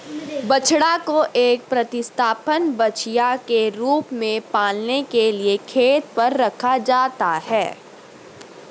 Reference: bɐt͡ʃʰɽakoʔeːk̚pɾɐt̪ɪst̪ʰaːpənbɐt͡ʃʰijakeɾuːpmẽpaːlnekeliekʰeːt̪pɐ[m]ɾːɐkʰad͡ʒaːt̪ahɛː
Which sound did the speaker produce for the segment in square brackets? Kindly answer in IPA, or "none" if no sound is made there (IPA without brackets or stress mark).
none